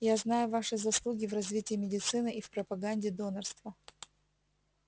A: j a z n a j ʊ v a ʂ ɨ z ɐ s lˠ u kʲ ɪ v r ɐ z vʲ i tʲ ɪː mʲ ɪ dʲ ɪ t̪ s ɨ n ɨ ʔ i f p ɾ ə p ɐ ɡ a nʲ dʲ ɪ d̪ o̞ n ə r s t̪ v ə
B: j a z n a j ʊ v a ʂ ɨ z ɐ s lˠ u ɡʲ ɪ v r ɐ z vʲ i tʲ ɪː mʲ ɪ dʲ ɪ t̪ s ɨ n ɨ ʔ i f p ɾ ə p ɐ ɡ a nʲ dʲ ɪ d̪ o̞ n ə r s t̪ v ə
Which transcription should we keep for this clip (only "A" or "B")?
B